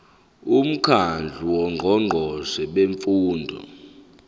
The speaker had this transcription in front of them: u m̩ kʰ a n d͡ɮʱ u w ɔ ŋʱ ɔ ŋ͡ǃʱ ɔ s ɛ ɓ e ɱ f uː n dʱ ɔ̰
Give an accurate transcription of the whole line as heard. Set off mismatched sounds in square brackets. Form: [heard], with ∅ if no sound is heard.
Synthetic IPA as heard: u m̩ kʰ a n d͡ɮʱ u w ɔ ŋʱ ɔ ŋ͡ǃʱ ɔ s ɛ ɓ e ɱ f uː n dʱ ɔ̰